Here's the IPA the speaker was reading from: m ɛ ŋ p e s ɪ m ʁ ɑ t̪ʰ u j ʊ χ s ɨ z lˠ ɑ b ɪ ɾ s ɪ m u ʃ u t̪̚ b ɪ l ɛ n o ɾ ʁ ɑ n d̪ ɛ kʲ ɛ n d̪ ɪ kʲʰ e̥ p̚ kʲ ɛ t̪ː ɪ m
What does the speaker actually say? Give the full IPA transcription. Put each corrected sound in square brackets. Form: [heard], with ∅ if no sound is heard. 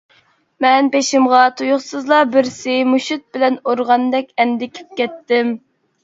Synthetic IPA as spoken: m ɛ [n] p e [ʃ] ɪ m ʁ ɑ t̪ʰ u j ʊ χ s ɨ z lˠ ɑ b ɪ ɾ s ɪ m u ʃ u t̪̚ b ɪ l ɛ n o ɾ ʁ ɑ n d̪ ɛ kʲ ɛ n d̪ ɪ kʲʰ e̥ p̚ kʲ ɛ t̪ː ɪ m